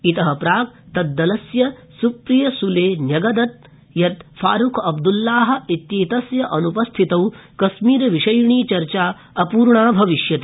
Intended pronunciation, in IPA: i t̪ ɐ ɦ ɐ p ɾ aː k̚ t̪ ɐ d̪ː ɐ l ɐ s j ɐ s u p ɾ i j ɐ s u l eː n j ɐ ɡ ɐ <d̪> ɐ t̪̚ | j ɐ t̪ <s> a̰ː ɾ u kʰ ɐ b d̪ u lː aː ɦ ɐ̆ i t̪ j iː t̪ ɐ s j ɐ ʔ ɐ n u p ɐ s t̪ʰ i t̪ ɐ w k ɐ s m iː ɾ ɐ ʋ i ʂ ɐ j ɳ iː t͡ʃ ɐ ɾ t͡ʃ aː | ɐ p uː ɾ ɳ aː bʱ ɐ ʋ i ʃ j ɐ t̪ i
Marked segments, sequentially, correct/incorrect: correct, incorrect: f

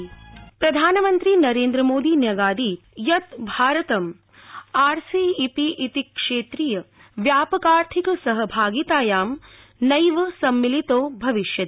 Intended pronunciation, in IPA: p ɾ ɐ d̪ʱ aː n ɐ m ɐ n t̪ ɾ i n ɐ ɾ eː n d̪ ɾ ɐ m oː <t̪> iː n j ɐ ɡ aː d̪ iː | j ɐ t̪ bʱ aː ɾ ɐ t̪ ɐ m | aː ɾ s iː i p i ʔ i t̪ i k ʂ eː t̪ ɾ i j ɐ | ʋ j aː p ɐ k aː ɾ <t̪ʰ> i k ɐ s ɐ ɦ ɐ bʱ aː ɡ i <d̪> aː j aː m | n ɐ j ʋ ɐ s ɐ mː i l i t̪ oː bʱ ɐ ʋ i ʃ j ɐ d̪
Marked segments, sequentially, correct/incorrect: incorrect: d̪, correct, incorrect: t̪

